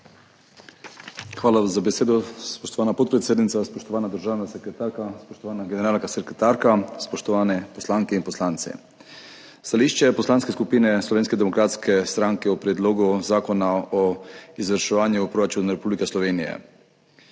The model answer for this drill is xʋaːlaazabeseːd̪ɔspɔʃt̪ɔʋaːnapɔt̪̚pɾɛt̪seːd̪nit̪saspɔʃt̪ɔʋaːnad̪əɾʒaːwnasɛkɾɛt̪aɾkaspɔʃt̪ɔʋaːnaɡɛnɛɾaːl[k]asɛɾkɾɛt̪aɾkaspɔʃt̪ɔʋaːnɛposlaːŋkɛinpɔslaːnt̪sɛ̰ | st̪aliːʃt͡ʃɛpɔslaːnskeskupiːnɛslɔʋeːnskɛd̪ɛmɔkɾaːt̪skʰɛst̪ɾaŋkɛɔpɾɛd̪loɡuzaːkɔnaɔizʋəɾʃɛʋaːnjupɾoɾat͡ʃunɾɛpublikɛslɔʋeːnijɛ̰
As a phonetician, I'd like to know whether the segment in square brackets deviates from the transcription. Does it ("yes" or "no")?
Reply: no